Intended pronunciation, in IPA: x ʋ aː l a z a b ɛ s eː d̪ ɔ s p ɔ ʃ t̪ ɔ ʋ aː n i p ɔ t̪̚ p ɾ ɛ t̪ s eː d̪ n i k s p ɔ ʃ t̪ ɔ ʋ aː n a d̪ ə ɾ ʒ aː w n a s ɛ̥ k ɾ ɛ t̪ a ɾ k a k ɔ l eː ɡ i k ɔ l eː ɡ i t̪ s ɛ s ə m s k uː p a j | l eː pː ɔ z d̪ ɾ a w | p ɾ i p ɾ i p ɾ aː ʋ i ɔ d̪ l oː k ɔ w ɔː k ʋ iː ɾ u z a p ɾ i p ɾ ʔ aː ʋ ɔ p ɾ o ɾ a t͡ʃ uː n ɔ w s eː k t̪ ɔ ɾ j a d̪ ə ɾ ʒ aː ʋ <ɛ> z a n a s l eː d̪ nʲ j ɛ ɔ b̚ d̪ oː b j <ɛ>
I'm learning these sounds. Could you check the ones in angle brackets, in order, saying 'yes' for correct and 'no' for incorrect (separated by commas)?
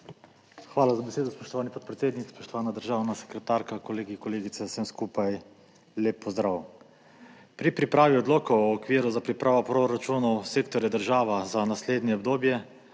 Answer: no, yes